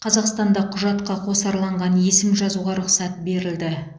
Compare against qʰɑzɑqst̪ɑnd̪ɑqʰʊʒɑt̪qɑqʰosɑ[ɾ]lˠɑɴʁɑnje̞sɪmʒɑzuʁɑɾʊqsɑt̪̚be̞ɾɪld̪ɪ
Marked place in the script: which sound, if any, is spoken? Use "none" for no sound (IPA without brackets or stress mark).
ɾ